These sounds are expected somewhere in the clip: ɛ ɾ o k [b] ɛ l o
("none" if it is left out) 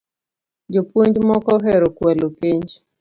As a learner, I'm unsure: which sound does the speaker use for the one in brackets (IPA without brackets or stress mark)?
w